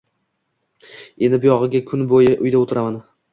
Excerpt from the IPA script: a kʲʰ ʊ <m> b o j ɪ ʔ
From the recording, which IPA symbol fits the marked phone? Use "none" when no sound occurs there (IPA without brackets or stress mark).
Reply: n